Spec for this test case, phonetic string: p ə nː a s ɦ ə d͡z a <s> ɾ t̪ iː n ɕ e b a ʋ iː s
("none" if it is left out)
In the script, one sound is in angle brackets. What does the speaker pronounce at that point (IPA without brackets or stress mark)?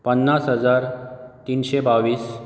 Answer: none